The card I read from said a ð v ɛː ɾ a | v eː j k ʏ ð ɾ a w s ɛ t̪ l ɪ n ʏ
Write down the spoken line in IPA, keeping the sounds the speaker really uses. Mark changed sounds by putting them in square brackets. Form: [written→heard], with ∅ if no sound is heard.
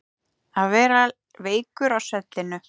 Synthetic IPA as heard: a ð v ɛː ɾ a | v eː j k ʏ [ð→∅] ɾ a w s ɛ t̪ l ɪ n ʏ